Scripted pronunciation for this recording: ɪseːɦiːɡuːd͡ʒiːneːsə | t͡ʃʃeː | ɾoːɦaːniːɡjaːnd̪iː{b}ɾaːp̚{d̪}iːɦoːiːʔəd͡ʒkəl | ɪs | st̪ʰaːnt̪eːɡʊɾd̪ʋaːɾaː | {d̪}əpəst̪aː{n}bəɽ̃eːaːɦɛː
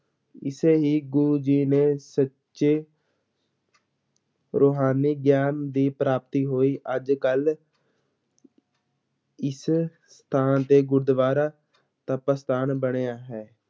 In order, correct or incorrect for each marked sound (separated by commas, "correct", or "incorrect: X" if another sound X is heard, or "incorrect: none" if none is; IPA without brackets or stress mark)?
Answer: incorrect: p, incorrect: t̪, incorrect: t̪, correct